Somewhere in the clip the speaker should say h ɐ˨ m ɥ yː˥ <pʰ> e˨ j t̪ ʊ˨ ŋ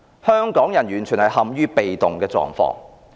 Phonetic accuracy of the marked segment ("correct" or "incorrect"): incorrect